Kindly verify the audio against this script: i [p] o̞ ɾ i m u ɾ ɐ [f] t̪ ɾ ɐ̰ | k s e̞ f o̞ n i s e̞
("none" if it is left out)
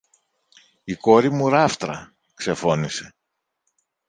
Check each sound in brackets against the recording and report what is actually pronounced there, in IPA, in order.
k, f

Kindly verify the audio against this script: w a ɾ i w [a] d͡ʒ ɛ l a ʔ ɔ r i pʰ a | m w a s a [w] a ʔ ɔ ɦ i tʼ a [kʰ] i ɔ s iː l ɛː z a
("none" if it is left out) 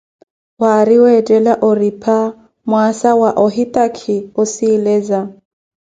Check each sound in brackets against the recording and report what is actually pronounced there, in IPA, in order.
ɛ, w, kʰ

